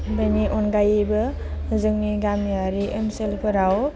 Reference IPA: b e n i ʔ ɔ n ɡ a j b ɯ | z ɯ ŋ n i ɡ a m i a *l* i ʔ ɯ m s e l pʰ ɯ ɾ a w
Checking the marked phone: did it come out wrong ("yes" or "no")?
yes